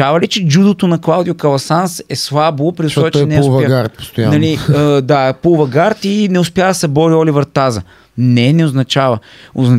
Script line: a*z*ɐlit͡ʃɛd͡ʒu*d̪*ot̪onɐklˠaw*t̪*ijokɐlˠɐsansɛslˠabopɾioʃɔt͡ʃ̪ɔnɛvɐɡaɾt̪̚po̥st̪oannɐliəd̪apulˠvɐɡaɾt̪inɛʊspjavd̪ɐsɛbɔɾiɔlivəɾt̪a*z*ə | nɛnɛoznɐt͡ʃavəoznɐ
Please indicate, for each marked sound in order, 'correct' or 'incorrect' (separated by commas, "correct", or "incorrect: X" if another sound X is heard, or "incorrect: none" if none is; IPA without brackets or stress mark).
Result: incorrect: v, correct, incorrect: d̪, correct